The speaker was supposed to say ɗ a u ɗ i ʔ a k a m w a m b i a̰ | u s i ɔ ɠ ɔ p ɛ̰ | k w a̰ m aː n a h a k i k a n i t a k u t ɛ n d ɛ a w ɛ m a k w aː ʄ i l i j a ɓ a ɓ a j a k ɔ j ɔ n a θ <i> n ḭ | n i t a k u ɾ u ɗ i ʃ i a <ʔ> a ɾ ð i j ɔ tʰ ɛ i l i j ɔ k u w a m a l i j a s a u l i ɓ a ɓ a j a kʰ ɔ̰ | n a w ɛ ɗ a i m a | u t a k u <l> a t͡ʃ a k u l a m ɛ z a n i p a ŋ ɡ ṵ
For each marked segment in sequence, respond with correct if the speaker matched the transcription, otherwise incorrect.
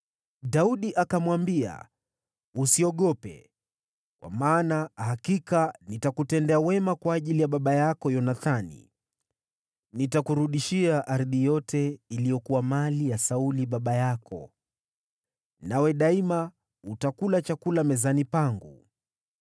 incorrect: a, correct, correct

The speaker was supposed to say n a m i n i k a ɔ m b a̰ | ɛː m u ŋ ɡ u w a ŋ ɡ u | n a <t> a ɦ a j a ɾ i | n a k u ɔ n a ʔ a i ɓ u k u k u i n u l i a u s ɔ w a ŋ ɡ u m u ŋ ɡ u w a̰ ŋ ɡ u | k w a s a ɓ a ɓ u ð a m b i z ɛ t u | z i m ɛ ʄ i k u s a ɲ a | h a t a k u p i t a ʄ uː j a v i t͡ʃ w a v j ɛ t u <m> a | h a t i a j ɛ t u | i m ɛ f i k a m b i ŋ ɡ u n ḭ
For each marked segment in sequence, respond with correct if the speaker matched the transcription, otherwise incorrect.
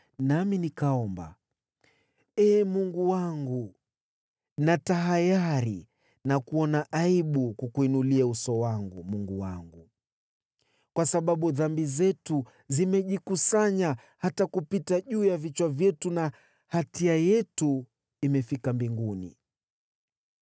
correct, incorrect: n

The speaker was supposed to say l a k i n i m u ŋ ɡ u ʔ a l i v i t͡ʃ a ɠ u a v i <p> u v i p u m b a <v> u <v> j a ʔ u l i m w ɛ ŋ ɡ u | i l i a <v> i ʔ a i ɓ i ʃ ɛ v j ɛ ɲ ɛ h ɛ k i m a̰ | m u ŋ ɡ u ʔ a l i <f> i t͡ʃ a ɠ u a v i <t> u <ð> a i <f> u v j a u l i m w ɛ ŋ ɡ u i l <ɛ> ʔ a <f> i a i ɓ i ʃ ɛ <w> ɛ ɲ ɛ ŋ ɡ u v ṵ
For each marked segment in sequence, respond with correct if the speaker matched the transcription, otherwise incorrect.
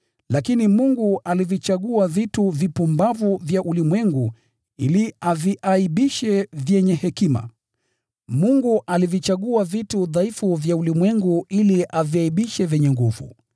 incorrect: t, correct, correct, correct, incorrect: v, correct, correct, correct, incorrect: i, incorrect: v, incorrect: v

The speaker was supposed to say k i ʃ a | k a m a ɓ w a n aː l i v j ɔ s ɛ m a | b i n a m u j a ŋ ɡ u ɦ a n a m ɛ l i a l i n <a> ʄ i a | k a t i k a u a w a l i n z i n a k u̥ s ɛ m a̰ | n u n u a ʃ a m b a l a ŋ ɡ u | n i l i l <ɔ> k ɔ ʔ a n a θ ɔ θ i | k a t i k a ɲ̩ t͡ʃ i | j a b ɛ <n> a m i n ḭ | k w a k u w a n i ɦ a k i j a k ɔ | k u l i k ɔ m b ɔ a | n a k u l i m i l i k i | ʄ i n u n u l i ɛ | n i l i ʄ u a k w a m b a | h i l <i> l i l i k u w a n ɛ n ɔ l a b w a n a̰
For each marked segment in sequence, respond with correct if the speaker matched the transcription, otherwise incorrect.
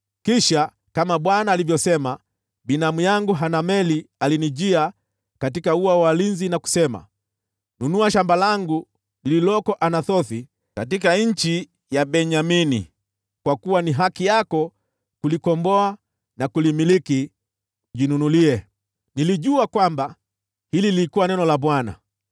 incorrect: i, correct, incorrect: ɲ, correct

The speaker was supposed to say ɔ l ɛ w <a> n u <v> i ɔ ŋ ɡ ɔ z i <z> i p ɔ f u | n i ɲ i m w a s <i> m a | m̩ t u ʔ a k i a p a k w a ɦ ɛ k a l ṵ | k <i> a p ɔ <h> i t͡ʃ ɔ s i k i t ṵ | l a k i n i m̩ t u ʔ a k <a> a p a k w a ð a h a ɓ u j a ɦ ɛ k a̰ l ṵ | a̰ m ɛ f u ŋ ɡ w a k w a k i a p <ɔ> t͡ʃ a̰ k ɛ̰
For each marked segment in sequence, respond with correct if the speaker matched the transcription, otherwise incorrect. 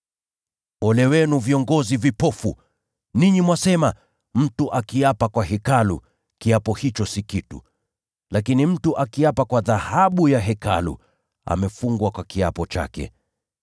incorrect: ɛ, correct, incorrect: v, incorrect: ɛ, correct, correct, incorrect: i, correct

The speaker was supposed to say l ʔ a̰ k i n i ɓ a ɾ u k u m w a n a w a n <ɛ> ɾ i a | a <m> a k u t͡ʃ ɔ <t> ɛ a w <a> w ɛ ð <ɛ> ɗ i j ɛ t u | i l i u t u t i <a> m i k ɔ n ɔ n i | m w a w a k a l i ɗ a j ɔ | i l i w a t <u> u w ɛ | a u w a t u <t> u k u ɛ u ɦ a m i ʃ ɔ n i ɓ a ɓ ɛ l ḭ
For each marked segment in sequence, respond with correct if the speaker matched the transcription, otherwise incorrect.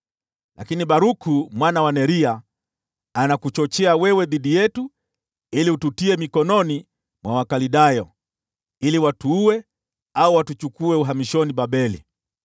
correct, incorrect: n, incorrect: t͡ʃ, incorrect: ɛ, incorrect: i, incorrect: ɛ, correct, incorrect: t͡ʃ

